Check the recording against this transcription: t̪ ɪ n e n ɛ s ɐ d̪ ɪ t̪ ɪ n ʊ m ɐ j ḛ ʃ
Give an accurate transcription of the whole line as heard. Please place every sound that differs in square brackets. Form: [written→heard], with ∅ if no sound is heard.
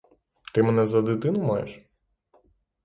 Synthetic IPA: t̪ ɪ [n→m] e n ɛ [s→z] ɐ d̪ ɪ t̪ ɪ n ʊ m [ɐ→ɑ] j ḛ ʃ